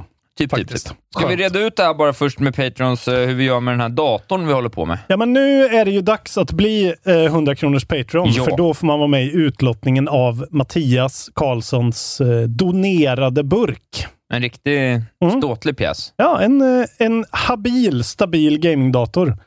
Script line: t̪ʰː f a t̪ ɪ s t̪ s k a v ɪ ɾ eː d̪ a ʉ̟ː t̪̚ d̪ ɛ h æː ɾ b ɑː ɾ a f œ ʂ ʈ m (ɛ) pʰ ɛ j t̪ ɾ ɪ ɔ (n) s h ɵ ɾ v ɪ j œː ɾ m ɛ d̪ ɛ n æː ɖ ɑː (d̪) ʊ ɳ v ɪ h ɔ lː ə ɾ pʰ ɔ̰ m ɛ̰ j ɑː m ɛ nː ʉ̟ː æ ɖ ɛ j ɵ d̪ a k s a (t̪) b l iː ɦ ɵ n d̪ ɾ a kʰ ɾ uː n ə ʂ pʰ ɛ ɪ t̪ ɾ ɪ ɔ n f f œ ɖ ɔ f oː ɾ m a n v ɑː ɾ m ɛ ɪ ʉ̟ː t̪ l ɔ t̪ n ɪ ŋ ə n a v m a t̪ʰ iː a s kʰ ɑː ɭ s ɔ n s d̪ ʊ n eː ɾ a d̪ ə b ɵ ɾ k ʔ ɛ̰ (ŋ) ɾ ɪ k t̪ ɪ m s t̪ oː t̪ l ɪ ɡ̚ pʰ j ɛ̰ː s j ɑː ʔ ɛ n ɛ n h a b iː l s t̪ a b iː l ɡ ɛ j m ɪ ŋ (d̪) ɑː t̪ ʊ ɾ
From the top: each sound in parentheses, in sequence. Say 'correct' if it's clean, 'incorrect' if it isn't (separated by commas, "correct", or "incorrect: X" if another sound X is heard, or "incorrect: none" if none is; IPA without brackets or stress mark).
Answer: correct, correct, incorrect: t̪, correct, incorrect: n, correct